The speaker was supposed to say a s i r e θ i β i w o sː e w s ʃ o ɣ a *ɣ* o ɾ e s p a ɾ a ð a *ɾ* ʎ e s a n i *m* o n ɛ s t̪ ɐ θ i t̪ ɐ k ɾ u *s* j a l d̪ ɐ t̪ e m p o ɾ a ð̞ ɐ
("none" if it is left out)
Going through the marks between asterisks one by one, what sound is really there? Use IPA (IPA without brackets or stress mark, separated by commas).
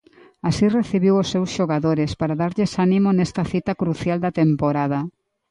ð, ɾ, m, θ